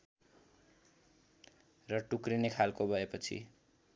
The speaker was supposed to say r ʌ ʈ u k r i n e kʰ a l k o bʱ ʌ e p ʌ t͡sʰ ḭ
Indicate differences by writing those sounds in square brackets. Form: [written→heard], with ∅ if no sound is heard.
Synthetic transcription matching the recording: r ʌ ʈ u k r i n e kʰ a l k o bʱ ʌ e p ʌ t͡sʰ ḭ